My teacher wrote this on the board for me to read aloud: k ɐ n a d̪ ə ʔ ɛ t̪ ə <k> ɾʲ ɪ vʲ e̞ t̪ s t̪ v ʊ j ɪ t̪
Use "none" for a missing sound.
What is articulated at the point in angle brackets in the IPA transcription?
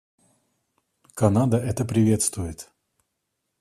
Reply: p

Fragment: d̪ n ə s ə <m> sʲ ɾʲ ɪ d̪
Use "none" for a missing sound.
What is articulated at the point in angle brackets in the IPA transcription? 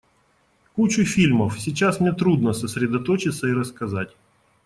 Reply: none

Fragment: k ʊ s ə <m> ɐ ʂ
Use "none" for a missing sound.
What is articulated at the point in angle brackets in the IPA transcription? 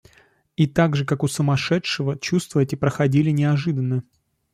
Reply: m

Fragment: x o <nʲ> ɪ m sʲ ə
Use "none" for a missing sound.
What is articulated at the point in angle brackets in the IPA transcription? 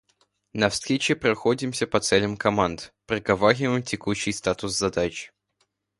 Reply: dʲ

